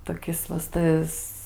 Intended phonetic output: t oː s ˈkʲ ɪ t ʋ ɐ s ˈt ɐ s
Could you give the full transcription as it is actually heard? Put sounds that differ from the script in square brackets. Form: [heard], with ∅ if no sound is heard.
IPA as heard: t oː [∅] ˈkʲ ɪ [s] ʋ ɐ s ˈt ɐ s